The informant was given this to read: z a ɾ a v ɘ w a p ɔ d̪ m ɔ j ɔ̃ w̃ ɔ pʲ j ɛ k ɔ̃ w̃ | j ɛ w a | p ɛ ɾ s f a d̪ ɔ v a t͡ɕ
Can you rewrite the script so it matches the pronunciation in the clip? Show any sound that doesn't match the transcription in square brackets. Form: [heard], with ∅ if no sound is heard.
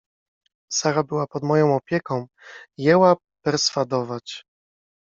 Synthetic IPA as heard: [s] a ɾ a [b] ɘ w a p ɔ d̪ m ɔ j ɔ̃ w̃ ɔ pʲ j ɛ k ɔ̃ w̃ | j ɛ w a | p ɛ ɾ s f a d̪ ɔ v a t͡ɕ